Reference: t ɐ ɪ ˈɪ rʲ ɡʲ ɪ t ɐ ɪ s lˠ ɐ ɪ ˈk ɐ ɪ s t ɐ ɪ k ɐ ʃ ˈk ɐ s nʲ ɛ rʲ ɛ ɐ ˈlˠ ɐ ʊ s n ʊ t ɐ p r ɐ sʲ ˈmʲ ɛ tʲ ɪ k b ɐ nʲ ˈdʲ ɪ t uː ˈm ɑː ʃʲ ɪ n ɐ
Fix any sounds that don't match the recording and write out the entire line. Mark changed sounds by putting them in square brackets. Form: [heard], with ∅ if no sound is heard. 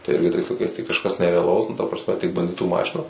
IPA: t ɐ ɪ ˈɪ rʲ ɡʲ ɪ t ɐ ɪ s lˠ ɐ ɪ ˈk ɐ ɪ s t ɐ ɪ k ɐ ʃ ˈk ɐ s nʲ ɛ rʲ ɛ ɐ ˈlˠ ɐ ʊ s n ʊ t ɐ p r ɐ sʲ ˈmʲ ɛ tʲ ɪ k b ɐ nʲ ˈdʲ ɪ t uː ˈm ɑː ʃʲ ɪ n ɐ